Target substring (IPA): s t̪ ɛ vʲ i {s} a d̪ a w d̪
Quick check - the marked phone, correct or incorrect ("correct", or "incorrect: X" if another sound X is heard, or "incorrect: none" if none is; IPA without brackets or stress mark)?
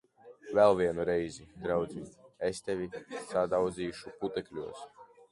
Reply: correct